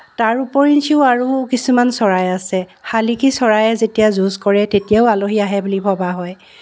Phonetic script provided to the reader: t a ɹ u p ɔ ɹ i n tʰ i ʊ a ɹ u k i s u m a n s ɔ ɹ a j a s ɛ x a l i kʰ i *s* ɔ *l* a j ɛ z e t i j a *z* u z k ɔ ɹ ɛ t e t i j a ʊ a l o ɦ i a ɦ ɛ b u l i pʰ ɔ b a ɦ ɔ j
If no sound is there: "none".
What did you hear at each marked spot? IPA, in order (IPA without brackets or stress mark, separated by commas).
s, ɹ, z